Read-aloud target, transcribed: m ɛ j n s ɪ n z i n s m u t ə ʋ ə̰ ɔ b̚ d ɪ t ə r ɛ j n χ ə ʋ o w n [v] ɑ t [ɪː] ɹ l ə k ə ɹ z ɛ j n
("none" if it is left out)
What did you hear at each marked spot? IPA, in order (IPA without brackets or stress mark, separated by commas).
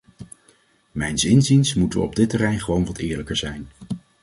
ʋ, ɪː